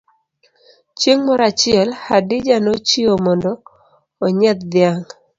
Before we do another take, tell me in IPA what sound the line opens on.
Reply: t͡ʃ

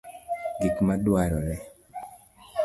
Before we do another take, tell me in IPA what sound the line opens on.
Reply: ɡ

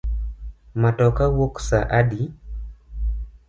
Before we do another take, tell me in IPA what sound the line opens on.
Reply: m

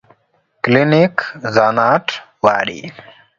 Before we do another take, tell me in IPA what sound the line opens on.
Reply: k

